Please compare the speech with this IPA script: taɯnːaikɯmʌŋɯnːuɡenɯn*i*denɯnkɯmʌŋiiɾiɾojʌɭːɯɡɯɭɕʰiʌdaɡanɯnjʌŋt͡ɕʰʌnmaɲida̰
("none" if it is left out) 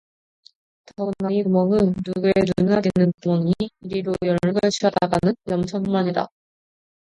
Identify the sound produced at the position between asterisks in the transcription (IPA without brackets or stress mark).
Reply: a